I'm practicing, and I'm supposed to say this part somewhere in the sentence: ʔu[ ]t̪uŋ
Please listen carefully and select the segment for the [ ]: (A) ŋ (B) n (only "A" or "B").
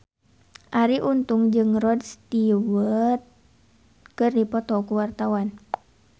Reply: B